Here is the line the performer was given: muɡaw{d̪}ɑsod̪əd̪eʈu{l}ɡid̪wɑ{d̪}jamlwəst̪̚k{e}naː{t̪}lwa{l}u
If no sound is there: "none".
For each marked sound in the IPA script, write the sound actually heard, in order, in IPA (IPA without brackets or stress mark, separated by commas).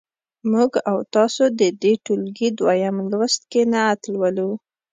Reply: t̪, l, none, e, t̪, l